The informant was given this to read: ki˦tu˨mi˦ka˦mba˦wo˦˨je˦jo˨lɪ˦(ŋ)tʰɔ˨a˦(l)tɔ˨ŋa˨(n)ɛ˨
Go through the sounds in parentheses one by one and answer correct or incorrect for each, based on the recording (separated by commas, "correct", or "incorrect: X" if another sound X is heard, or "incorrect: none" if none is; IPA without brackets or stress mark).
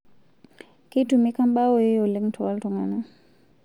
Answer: correct, correct, correct